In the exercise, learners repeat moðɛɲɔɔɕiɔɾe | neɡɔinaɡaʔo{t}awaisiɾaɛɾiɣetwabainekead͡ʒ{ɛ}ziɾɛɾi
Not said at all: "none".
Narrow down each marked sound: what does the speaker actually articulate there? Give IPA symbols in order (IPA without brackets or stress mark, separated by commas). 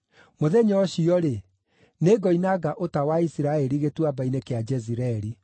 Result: t, ɛ